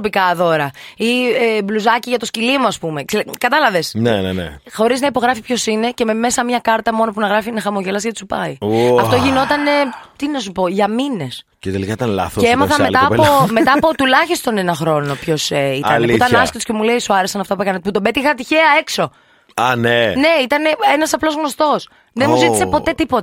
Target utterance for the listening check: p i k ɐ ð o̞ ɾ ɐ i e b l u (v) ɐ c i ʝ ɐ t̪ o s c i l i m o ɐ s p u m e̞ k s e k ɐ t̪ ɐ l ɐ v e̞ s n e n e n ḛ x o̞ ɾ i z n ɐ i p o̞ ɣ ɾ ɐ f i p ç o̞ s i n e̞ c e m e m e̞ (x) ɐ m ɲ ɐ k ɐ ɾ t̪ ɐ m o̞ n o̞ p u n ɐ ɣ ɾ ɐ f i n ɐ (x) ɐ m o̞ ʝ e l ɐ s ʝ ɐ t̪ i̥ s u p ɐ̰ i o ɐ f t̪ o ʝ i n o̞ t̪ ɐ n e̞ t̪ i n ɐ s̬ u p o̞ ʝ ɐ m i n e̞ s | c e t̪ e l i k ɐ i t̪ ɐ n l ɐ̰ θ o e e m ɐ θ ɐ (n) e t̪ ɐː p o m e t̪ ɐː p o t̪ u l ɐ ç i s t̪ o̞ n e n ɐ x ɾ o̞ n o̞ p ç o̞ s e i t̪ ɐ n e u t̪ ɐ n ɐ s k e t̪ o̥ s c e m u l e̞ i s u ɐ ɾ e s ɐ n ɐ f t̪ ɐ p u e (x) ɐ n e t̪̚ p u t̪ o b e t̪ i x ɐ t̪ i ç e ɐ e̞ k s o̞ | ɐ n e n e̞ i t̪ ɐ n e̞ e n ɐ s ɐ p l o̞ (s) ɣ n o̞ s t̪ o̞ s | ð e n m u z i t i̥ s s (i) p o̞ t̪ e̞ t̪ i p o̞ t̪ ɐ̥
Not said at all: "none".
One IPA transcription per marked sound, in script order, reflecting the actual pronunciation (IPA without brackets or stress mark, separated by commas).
z, s, x, m, k, z, e